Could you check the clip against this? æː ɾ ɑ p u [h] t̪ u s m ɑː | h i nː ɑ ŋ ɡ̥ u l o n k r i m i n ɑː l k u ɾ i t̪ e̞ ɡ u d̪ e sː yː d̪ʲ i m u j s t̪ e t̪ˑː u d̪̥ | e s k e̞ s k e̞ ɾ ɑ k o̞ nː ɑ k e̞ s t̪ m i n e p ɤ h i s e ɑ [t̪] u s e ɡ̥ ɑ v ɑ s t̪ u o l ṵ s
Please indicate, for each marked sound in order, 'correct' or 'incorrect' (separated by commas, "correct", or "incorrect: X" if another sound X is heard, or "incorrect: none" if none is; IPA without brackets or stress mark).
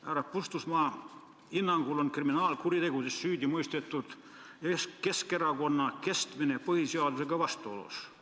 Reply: incorrect: s, incorrect: d̪